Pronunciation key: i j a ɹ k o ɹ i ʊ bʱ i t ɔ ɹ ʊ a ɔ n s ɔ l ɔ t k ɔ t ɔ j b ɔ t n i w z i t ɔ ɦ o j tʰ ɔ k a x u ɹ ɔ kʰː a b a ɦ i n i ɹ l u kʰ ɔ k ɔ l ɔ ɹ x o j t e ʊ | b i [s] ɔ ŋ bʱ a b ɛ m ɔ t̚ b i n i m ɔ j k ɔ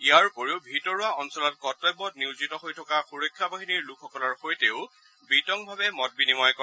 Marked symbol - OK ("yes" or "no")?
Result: no